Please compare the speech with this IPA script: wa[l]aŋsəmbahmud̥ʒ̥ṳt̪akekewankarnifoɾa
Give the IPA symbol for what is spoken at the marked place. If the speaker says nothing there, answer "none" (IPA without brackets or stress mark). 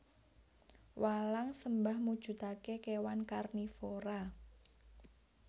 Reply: l